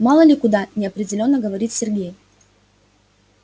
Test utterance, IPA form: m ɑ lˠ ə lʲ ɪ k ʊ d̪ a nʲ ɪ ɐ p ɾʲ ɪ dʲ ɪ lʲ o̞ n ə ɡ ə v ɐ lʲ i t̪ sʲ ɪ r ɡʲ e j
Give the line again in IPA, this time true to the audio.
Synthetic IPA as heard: m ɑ lˠ ə lʲ ɪ k ʊ d̪ a nʲ ɪ ɐ p ɾʲ ɪ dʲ ɪ lʲ o̞ nː ə ɡ ə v ɐ ɾʲ i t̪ sʲ ɪ r ɡʲ e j